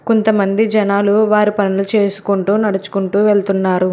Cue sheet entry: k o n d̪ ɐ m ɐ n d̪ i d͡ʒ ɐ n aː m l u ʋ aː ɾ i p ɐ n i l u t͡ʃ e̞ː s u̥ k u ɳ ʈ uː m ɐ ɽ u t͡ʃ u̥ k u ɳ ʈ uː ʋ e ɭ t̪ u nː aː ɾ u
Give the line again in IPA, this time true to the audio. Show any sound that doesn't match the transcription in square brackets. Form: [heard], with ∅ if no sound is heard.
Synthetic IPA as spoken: k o n [t̪] ɐ m ɐ n d̪ i d͡ʒ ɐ n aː [∅] l u ʋ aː ɾ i p ɐ n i l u t͡ʃ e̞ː s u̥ k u ɳ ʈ uː [n] ɐ ɽ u t͡ʃ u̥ k u ɳ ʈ uː ʋ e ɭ t̪ u nː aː ɾ u